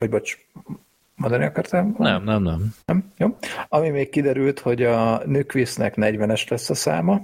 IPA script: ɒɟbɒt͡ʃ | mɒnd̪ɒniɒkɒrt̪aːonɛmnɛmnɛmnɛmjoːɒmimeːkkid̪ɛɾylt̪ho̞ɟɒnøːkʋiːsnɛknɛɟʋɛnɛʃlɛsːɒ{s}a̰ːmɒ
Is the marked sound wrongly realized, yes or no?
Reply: no